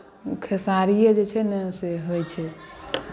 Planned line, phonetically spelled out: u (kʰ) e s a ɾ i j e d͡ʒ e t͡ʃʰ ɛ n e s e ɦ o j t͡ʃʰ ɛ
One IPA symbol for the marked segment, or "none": kʰ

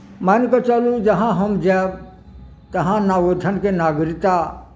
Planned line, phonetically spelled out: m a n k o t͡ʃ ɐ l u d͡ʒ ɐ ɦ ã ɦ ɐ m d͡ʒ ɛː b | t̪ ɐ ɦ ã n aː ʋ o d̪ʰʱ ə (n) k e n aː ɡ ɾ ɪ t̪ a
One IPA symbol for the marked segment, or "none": n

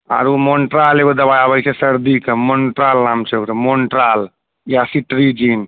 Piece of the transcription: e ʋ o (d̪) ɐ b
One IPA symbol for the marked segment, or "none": d̪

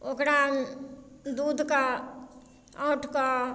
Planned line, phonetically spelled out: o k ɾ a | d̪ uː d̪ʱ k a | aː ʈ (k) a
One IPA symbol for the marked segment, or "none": k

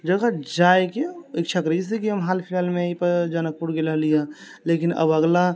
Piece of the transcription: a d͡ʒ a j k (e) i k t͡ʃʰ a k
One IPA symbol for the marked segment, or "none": e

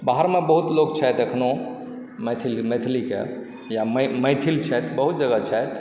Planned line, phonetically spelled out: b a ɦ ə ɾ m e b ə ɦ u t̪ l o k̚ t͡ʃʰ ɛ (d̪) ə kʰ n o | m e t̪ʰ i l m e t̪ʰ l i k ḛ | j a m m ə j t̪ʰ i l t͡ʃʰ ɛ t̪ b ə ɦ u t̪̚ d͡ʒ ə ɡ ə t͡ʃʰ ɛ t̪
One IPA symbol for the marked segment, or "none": t̪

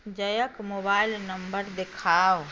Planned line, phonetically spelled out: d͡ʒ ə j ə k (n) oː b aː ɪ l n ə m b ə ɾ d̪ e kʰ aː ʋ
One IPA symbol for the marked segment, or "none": m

